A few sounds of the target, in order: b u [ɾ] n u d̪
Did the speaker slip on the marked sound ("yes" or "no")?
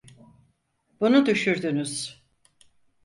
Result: yes